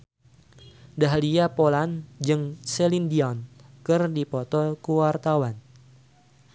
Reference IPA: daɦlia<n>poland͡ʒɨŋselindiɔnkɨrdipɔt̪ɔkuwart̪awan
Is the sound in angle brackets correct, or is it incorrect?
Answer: incorrect